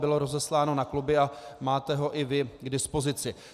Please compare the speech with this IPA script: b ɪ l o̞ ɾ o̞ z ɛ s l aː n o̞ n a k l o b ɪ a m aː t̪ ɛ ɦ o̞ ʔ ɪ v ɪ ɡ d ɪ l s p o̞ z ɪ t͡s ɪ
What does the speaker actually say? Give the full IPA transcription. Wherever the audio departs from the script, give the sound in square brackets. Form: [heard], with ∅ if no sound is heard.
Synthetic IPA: b ɪ l o̞ ɾ o̞ z ɛ s l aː n o̞ n a k l [u] b ɪ a m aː t̪ ɛ ɦ o̞ ʔ ɪ v ɪ ɡ d ɪ [∅] s p o̞ z ɪ t͡s ɪ